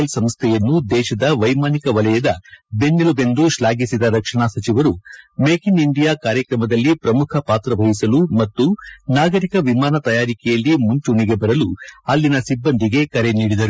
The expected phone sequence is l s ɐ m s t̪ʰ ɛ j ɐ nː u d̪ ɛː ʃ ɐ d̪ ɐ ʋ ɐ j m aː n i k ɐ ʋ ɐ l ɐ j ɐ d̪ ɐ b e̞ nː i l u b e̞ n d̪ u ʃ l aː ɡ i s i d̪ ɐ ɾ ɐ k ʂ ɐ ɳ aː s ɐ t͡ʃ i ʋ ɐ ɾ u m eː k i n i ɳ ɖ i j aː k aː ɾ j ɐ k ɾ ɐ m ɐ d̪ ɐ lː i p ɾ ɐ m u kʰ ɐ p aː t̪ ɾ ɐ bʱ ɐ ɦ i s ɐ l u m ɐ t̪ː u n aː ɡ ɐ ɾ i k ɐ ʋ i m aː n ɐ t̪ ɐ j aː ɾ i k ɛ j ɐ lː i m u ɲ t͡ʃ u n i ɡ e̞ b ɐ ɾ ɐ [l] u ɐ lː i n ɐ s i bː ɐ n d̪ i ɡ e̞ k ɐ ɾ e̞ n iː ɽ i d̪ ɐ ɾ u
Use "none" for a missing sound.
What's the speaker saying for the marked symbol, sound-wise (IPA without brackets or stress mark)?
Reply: l